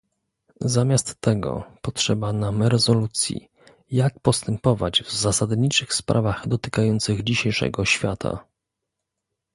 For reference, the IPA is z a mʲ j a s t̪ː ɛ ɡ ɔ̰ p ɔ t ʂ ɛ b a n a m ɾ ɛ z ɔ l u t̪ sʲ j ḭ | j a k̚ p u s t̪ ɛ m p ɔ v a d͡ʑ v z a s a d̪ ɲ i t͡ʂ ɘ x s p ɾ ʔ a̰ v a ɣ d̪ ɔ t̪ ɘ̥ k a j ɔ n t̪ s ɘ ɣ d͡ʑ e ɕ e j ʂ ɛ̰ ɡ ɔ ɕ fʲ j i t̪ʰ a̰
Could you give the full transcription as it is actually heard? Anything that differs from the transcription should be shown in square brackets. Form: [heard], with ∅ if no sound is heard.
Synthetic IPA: z a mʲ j a s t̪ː ɛ ɡ ɔ̰ p ɔ t ʂ ɛ b a n a m ɾ ɛ z ɔ l u t̪ sʲ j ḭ | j a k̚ p [ɔ] s t̪ ɛ m p ɔ v a d͡ʑ v z a s a d̪ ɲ i t͡ʂ ɘ x s p ɾ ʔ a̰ v a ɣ d̪ ɔ t̪ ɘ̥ k a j ɔ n t̪ s ɘ ɣ d͡ʑ [i] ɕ e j ʂ ɛ̰ ɡ ɔ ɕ fʲ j [a] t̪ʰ a̰